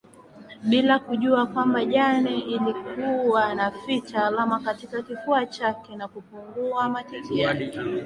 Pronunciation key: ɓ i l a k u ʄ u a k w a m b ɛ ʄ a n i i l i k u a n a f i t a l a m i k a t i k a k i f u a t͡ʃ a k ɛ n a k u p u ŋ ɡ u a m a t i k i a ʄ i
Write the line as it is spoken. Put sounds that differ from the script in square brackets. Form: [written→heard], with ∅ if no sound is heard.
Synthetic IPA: ɓ i l a k u ʄ u a k w a m b [ɛ→a] ʄ a n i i l i k u a n a f i [t→t͡ʃ] a l a m [i→a] k a t i k a k i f u a t͡ʃ a k ɛ n a k u p u ŋ ɡ u a m a t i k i a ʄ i